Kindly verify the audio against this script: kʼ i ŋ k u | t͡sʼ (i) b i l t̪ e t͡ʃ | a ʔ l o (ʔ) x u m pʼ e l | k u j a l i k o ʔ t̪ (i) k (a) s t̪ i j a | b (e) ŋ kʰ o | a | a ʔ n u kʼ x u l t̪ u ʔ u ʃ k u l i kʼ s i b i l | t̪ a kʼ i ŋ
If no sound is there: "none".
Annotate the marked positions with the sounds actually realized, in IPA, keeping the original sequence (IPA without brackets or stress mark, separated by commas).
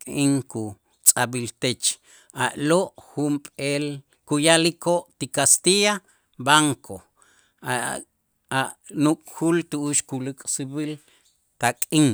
a, ʔ, i, a, a